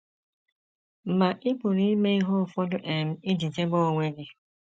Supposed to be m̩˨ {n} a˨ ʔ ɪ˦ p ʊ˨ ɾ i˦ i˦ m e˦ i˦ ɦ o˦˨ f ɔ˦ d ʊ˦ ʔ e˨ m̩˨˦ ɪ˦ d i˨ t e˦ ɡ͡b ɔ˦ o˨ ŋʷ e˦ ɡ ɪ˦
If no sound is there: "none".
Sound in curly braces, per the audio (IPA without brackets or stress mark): m